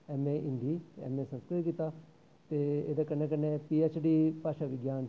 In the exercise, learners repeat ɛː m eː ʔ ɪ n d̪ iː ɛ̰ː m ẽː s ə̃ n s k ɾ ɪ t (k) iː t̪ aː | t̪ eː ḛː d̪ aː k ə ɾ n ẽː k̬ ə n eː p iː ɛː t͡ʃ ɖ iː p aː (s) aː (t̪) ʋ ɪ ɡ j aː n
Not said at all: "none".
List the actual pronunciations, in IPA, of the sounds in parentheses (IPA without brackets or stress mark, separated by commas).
k, ʃ, none